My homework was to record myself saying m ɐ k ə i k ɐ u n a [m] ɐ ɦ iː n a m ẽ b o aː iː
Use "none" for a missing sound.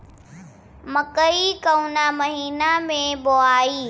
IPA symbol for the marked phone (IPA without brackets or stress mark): m